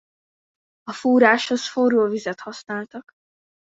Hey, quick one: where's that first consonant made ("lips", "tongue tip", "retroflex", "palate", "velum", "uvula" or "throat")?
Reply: lips